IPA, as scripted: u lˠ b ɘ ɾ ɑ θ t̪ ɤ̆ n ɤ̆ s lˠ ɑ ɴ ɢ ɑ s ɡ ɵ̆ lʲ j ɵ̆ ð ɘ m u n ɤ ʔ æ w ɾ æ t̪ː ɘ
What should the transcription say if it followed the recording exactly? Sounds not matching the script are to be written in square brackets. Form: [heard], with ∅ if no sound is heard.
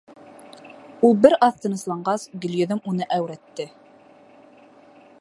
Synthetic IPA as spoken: u lˠ b ɘ ɾ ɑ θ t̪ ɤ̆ n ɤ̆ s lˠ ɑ ɴ ɢ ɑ s ɡ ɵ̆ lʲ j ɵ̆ ð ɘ m u n ɤ ʔ æ w ɾ æ t̪ː ɘ